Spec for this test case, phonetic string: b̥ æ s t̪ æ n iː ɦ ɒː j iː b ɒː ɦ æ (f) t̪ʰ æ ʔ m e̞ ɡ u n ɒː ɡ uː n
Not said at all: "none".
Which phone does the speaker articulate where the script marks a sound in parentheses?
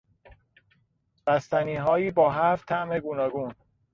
f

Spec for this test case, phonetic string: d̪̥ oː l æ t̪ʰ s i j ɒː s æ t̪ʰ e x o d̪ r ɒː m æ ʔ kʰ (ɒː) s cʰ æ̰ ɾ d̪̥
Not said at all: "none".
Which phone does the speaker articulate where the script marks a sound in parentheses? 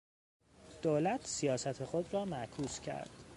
uː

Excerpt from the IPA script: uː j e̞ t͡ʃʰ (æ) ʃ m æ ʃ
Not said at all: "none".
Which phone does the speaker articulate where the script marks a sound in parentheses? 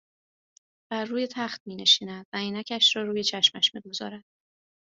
æ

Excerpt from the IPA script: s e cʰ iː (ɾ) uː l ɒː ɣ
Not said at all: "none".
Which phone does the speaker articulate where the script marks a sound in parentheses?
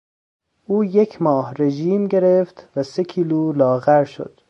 l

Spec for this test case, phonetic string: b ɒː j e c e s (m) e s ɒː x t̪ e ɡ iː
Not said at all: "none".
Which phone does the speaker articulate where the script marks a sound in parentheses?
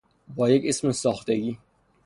m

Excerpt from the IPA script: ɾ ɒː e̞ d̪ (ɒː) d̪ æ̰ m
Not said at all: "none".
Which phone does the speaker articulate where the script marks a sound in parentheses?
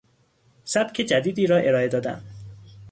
ɒː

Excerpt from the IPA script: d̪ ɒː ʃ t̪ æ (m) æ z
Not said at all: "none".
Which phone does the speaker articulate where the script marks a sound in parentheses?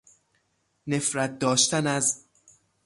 n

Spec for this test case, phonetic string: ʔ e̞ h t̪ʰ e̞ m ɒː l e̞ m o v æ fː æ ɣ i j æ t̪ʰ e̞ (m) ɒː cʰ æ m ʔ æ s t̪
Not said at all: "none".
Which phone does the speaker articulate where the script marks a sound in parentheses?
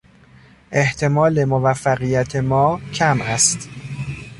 m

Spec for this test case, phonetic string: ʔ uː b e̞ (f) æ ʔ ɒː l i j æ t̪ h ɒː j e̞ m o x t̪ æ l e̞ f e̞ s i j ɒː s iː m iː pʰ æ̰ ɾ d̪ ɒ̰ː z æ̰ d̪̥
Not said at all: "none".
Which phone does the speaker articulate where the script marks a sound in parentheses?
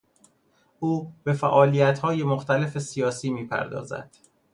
f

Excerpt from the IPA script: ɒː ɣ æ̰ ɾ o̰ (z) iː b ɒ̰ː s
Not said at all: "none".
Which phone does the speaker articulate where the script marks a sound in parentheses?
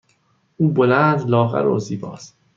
z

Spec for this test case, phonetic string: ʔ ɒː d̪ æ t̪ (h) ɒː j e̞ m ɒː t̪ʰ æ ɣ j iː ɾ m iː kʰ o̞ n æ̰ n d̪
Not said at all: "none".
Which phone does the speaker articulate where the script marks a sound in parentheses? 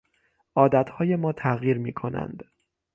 h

